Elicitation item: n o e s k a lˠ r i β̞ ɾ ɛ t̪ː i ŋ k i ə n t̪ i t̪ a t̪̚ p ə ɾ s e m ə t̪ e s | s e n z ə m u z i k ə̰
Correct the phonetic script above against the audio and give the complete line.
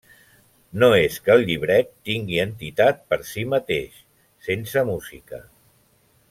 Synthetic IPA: n o e s k ə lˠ ʎ i β̞ ɾ ɛ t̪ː i ŋ ɡ i ə n t̪ i t̪ a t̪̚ p ə ɾ s i m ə t̪ e ʃ | s e n s ə m u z i k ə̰

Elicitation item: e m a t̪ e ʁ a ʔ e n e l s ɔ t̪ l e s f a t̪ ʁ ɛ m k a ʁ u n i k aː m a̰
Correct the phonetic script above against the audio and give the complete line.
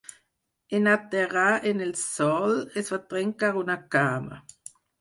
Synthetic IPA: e n a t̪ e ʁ a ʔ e n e l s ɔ l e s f a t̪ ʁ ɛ ŋ k a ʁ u n a k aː m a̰

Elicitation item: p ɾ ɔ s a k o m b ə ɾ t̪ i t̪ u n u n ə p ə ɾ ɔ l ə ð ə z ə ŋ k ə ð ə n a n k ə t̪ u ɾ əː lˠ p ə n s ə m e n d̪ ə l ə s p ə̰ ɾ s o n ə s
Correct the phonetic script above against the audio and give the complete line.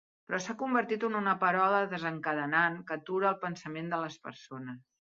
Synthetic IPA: p ɾ ɔ s a k u m b ə ɾ t̪ i t̪ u n u n ə p ə ɾ ɔ l ə ð ə z ə ŋ k ə ð ə n a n k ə t̪ u ɾ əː lˠ p ə n s ə m e n d̪ ə l ə s p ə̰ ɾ s o n ə s

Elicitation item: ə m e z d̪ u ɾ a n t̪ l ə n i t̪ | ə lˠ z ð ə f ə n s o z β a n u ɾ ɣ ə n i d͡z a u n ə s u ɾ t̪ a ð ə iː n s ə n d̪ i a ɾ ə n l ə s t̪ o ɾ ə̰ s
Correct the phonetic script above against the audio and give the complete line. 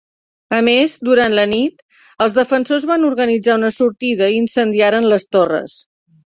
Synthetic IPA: ə m e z d̪ u ɾ a n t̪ l ə n i t̪ | ə lˠ z ð ə f ə n s o z β a n u ɾ ɣ ə n i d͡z a u n ə s u ɾ t̪ i ð ə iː n s ə n d̪ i a ɾ ə n l ə s t̪ o r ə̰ s

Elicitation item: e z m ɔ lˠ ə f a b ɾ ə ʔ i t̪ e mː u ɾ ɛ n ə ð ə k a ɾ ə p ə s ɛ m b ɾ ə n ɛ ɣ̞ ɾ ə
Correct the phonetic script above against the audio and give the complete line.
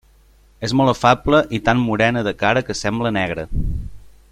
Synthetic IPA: e z m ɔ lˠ ə f a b l ə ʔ i t̪ a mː u ɾ ɛ n ə ð ə k a ɾ ə k ə s ɛ m b l ə n ɛ ɣ̞ ɾ ə

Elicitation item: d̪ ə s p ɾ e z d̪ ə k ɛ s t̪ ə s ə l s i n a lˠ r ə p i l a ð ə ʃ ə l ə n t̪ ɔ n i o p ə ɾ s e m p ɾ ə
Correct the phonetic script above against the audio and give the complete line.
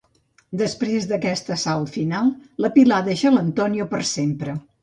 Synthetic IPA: d̪ ə s p ɾ e z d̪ ə k ɛ s t̪ ə s a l f i n a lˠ l ə p i l a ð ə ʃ ə l ə n t̪ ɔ n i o p ə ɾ s e m p ɾ ə

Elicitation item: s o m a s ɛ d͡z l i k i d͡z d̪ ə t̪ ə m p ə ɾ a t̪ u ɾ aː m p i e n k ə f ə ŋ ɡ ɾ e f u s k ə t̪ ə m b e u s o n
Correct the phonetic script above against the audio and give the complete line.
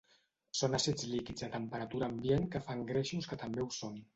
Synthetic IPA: s o n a s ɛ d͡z l i k i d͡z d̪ ə t̪ ə m p ə ɾ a t̪ u ɾ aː m b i e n k ə f a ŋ ɡ ɾ e ʃ u s k ə t̪ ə m b e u s o n

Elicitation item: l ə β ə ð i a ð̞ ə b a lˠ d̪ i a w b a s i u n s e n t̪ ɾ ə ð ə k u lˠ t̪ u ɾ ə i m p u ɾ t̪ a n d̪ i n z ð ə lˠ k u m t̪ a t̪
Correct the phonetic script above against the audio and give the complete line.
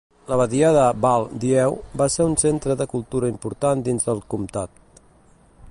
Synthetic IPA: l ə β ə ð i a ð̞ ə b a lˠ d̪ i ɛ w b a s e u n s e n t̪ ɾ ə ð ə k u lˠ t̪ u ɾ ə i m p u ɾ t̪ a n d̪ i n z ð ə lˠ k u m t̪ a t̪

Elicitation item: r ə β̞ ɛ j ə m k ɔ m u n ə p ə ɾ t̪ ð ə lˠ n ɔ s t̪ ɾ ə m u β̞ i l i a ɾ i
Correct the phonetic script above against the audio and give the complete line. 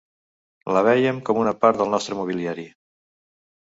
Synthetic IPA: l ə β̞ ɛ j ə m k ɔ m u n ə p a ɾ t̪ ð ə lˠ n ɔ s t̪ ɾ ə m u β̞ i l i a ɾ i

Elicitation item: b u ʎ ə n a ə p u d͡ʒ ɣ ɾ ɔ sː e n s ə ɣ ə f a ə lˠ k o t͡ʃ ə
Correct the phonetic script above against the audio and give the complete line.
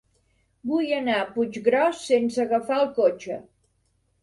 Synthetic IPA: b u j ə n a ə p u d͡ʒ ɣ ɾ ɔ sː e n s ə ɣ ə f a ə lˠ k o t͡ʃ ə

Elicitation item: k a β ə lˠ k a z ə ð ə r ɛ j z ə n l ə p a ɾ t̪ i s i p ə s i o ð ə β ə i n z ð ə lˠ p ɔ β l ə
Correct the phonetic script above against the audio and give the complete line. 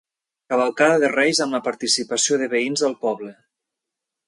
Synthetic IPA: k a β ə lˠ k a ð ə ð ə r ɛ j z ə m l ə p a ɾ t̪ i s i p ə s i o ð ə β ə i n z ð ə lˠ p ɔ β l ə

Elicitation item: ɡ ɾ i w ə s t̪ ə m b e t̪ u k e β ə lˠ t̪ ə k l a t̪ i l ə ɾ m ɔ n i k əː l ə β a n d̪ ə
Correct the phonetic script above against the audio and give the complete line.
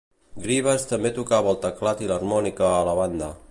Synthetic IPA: ɡ ɾ i β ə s t̪ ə m b e t̪ u k a β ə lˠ t̪ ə k l a t̪ i l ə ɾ m ɔ n i k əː l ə β a n d̪ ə

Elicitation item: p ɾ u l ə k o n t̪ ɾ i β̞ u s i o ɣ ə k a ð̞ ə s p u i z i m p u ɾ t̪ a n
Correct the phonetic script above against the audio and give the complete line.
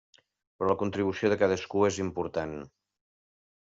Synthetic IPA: p ɾ ɔ l ə k u n t̪ ɾ i β̞ u s i o ð ə k a ð̞ ə s k u e z i m p u ɾ t̪ a n

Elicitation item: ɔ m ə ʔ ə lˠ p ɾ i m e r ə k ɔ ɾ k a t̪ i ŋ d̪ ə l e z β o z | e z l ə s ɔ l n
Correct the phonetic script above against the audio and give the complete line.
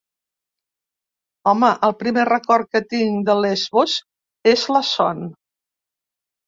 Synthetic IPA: ɔ m ə ʔ ə lˠ p ɾ i m e r ə k ɔ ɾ k ə t̪ i ŋ d̪ ə l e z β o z | e z l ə s ɔ n

